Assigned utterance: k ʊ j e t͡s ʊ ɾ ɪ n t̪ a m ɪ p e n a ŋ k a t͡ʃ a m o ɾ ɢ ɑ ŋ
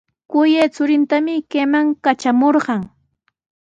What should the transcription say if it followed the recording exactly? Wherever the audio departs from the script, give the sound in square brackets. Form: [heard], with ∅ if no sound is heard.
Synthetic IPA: k ʊ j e t͡s ʊ ɾ ɪ n t̪ a m ɪ [k] e [m] a ŋ k a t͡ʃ a m o ɾ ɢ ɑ ŋ